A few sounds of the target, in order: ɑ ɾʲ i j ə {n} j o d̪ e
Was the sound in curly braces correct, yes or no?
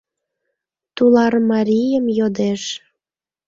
no